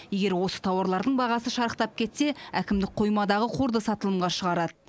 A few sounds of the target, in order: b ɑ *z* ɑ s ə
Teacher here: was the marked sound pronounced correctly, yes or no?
no